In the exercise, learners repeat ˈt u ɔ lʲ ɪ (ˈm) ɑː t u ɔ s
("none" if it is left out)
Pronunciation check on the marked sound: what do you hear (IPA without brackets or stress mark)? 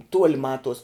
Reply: m